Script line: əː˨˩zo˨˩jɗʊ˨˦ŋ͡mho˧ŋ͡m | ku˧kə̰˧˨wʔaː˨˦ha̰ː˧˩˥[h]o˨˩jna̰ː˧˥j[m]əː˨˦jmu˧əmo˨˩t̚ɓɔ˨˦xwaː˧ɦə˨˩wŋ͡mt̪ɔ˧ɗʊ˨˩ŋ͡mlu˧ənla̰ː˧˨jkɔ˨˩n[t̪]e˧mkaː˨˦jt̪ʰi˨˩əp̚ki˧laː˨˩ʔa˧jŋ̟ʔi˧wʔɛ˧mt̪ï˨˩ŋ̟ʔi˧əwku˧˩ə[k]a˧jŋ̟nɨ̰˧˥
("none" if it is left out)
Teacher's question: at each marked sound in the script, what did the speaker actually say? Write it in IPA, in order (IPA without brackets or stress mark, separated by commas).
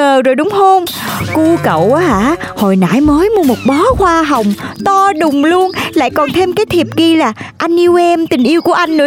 h, m, t̪ʰ, ʔ